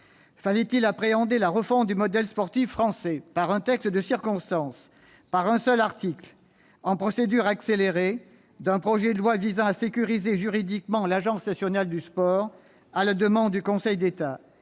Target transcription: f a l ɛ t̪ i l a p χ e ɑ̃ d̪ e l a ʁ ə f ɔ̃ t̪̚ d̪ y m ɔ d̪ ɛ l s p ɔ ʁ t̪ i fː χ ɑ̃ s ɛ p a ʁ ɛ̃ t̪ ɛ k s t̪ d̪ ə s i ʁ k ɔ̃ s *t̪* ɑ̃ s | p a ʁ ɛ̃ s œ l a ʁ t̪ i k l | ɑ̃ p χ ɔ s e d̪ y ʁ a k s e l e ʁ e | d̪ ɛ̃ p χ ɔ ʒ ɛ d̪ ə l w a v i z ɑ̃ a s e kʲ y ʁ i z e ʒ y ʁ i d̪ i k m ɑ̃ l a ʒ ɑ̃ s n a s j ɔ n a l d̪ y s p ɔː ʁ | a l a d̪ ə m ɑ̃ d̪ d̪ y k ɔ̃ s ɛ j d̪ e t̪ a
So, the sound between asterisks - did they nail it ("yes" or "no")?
yes